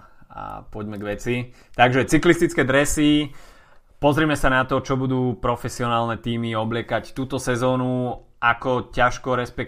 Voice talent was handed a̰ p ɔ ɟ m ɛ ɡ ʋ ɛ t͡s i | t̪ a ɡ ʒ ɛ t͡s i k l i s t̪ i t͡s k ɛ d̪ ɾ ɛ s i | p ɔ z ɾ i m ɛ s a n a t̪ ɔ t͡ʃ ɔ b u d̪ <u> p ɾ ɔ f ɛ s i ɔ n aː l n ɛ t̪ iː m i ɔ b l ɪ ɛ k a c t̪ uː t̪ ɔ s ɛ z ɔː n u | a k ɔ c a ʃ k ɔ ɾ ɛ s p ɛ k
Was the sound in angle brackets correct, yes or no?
no